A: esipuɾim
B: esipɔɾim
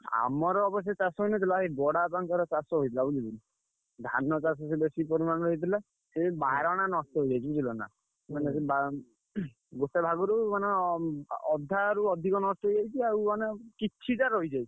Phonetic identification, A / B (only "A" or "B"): B